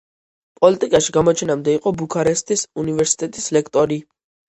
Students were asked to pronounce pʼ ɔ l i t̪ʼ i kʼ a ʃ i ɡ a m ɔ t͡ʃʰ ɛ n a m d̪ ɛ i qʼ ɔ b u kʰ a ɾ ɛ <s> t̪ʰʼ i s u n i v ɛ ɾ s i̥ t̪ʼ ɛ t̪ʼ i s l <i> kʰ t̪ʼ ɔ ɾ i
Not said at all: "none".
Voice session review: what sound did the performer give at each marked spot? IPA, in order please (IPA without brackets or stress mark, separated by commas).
s, ɛ